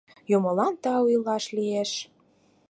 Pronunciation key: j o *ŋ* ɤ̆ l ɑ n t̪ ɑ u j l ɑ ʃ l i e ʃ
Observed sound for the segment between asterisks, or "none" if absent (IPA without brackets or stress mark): m